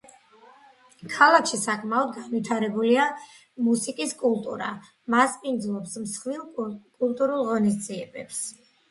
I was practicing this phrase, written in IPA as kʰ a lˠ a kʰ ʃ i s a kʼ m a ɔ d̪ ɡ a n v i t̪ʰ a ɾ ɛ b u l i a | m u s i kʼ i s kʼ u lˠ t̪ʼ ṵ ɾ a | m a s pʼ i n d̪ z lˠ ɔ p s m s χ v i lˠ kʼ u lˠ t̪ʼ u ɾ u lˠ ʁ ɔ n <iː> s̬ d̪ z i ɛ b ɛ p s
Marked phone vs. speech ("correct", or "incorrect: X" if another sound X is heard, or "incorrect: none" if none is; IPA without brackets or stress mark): incorrect: i